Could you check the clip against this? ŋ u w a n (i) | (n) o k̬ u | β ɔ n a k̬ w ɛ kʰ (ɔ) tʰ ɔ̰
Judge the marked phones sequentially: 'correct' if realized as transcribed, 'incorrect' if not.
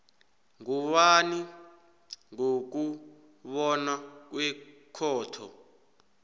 correct, incorrect: ŋ, incorrect: ɔː

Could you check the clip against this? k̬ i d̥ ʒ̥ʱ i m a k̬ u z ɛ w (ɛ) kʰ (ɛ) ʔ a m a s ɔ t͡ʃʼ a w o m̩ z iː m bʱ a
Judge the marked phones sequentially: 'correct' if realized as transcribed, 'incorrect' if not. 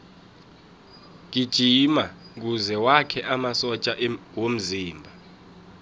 incorrect: a, correct

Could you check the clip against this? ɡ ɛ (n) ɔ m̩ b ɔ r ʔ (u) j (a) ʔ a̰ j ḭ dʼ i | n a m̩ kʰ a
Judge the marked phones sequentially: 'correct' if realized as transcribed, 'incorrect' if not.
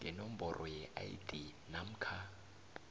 correct, incorrect: ɔ, incorrect: ɛ

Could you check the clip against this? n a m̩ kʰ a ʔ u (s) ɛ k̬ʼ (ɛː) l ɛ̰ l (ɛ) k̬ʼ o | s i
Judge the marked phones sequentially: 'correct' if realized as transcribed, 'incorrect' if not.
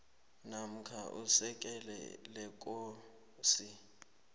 correct, incorrect: ɛ, correct

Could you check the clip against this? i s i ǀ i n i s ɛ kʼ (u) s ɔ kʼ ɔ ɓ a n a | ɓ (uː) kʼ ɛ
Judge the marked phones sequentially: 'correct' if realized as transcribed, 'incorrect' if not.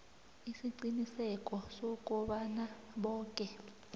incorrect: ɔ, incorrect: ɔː

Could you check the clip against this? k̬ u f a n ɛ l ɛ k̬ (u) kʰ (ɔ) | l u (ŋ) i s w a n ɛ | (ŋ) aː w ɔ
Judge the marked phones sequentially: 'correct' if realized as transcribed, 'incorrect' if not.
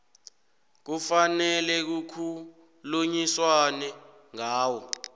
correct, incorrect: u, incorrect: ɲ, correct

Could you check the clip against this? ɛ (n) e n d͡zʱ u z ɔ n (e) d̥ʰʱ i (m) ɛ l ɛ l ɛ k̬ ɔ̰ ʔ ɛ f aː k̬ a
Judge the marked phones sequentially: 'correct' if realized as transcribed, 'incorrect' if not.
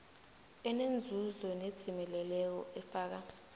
correct, correct, correct

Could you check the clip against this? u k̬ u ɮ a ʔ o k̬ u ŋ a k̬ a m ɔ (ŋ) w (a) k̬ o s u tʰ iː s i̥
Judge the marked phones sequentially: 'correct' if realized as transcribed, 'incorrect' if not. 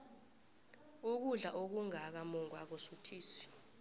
correct, correct

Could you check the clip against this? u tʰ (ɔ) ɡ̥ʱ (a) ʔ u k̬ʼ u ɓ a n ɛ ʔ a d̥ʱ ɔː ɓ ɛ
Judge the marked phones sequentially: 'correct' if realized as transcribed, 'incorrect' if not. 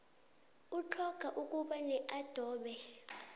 correct, correct

